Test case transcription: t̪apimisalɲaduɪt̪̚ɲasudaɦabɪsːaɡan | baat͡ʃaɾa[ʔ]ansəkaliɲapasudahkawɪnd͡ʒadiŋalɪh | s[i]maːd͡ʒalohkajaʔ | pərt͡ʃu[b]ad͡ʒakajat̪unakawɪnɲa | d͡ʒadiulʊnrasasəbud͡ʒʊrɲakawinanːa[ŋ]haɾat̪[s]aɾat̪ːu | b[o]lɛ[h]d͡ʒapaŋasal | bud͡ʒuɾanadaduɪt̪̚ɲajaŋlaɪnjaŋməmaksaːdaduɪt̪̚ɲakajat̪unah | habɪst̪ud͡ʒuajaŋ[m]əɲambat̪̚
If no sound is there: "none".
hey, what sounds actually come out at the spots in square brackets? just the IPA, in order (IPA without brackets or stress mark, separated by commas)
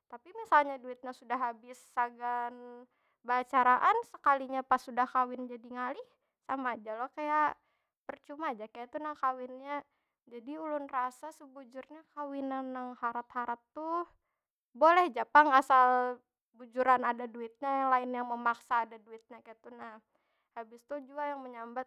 ʔ, a, m, ŋ, h, o, h, m